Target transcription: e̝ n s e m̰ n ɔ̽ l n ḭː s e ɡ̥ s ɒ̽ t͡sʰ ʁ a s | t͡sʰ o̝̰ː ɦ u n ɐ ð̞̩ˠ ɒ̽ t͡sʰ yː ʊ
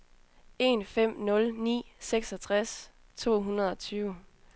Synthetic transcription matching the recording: e̝ n f e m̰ n ɔ̽ l n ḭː s e ɡ̥ s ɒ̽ t͡sʰ ʁ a s | t͡sʰ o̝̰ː ɦ u n ɐ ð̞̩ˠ ɒ̽ t͡sʰ yː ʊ